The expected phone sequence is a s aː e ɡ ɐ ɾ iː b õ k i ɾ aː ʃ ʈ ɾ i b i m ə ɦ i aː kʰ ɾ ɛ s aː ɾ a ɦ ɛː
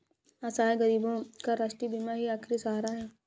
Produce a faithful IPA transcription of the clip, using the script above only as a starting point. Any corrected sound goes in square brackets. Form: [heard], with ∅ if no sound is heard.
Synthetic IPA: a s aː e ɡ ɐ ɾ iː b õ k [a] ɾ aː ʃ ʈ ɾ i b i m [a] ɦ i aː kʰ ɾ [i] s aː ɾ a ɦ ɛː